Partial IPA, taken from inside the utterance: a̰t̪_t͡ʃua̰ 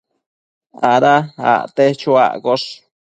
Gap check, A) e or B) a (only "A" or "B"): A